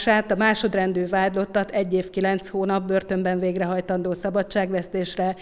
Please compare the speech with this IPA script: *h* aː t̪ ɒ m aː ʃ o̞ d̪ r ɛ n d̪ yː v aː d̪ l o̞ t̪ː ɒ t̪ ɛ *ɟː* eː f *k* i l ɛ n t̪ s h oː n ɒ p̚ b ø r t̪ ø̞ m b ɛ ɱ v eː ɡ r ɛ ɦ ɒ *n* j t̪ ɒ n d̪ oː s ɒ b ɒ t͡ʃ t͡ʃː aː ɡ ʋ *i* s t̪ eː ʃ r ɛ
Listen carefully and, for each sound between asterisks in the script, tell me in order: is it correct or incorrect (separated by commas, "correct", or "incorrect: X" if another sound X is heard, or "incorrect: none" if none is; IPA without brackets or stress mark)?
incorrect: ʃ, correct, correct, incorrect: none, incorrect: ɛ